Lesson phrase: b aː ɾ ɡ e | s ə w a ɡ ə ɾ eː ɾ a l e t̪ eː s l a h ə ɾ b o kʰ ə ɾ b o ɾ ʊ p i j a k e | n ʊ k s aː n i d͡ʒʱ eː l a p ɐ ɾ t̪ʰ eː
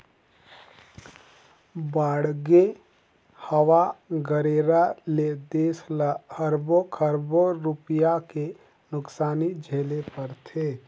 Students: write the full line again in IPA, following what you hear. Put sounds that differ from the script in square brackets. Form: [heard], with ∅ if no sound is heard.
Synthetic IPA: b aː [ɽ] ɡ e | [h] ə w a ɡ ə ɾ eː ɾ a l e [d̪] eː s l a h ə ɾ b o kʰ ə ɾ b o ɾ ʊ p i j a k e | n ʊ k s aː n i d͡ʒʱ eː l [e] p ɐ ɾ t̪ʰ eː